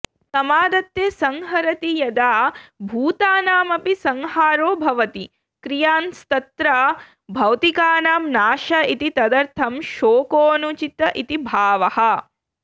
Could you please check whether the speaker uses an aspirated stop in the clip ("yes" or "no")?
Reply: yes